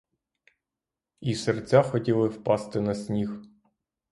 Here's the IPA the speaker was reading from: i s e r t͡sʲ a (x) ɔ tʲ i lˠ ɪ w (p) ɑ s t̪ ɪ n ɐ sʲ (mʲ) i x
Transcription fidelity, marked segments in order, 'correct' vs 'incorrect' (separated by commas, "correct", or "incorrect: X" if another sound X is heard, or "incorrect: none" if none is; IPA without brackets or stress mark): correct, correct, incorrect: nʲ